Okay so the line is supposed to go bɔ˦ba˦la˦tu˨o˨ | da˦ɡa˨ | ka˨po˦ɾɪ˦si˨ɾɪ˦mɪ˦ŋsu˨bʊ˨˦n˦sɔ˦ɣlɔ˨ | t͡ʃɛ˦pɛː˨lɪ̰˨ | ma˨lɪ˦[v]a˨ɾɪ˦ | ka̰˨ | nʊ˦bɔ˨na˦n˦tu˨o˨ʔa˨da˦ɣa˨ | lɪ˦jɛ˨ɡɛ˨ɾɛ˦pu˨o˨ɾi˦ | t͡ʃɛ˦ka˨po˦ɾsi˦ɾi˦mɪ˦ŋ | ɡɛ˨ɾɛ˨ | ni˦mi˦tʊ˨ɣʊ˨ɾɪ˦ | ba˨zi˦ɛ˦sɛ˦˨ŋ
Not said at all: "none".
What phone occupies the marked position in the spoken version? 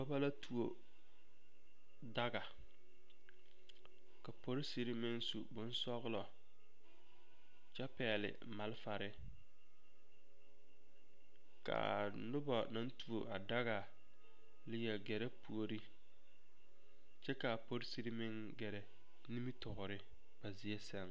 f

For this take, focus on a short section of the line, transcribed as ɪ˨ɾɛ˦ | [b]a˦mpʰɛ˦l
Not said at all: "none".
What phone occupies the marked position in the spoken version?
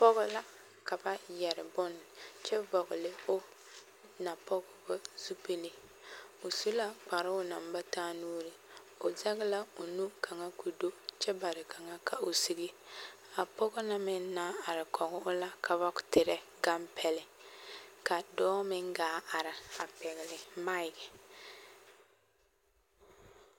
ɡ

